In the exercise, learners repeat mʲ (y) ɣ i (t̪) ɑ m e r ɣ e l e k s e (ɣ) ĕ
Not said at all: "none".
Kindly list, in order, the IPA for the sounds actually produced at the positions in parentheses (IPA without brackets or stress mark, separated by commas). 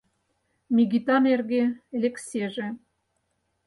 i, t̪, ʒ